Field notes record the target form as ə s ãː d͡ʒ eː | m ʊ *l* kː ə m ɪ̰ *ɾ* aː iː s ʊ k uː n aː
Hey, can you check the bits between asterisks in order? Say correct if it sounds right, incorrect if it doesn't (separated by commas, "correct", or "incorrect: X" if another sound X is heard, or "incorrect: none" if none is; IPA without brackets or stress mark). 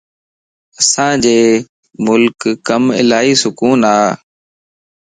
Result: correct, incorrect: l